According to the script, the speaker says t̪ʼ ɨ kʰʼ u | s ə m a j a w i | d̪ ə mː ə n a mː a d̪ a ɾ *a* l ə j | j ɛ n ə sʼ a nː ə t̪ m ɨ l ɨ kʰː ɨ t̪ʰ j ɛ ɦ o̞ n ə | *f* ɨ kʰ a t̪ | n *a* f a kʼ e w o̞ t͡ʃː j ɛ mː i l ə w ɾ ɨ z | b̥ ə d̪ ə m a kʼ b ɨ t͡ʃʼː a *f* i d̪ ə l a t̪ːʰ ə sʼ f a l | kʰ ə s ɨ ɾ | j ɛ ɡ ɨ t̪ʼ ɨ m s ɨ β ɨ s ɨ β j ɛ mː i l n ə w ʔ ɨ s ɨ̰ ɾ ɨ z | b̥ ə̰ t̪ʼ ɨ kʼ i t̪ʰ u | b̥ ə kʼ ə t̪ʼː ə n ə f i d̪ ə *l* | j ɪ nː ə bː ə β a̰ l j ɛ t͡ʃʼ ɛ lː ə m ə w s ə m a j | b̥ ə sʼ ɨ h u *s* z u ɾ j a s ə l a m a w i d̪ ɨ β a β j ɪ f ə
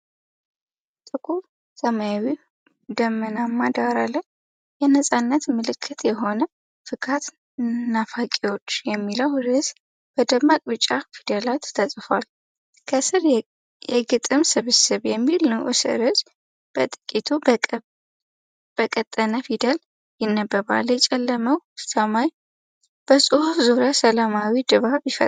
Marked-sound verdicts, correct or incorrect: correct, correct, correct, correct, correct, incorrect: f

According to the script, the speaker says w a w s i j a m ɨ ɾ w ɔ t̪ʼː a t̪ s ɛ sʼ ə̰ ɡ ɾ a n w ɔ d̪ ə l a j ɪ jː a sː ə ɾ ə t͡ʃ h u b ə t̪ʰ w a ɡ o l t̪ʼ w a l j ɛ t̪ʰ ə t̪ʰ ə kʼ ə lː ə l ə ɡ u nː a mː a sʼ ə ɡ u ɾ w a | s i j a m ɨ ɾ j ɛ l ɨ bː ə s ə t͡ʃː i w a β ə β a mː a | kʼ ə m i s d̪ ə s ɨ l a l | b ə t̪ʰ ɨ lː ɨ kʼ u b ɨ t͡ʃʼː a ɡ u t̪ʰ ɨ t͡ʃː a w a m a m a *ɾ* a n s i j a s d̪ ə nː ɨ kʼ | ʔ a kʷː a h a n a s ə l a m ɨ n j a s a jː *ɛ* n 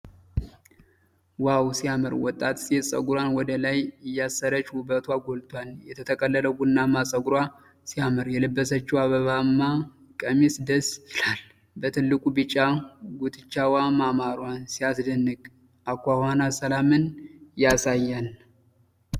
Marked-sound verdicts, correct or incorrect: correct, incorrect: a

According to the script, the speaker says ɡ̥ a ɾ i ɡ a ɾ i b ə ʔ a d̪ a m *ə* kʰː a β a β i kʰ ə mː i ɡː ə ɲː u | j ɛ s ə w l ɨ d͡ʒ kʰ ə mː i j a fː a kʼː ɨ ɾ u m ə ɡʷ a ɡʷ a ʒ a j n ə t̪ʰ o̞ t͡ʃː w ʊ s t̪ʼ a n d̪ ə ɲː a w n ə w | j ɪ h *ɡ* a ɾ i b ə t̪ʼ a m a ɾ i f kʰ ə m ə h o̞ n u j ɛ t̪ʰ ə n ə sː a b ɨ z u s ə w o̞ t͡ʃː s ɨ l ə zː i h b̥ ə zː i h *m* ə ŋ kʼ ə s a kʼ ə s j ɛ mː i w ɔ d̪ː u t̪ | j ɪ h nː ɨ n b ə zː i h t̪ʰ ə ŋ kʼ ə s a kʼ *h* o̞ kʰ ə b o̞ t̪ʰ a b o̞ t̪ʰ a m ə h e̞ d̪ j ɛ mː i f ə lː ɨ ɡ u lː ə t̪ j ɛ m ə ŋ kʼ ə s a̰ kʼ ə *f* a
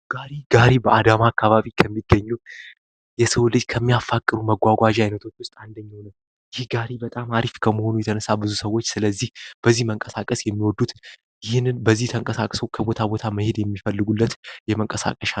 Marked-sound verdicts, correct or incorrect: incorrect: a, correct, correct, incorrect: s, incorrect: ʃ

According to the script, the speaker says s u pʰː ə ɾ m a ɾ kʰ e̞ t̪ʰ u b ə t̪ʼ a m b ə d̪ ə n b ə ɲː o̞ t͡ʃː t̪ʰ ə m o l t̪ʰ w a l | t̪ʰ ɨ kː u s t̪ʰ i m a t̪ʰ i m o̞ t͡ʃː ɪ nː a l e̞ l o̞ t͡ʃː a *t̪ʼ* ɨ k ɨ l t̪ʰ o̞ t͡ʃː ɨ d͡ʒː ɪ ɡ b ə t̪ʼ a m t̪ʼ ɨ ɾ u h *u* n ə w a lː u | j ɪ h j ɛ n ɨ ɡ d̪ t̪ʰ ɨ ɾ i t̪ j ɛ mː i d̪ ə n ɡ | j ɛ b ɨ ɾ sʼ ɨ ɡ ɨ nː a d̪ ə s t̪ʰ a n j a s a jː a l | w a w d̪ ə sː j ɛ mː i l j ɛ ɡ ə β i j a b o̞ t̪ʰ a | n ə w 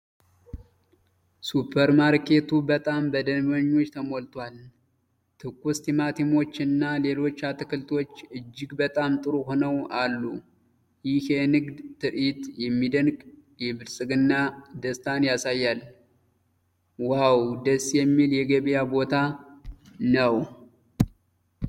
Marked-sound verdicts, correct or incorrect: incorrect: t̪, incorrect: o

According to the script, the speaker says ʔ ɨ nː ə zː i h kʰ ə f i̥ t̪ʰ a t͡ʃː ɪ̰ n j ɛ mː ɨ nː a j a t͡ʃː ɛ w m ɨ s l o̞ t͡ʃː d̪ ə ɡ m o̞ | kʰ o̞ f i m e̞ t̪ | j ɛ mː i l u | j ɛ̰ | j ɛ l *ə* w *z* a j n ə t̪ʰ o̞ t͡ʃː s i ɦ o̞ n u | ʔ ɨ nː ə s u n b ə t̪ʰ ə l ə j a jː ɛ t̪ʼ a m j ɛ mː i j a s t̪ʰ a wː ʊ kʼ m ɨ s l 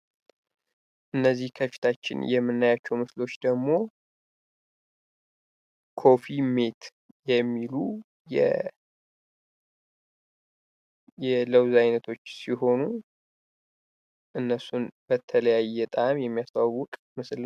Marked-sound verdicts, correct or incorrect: correct, correct

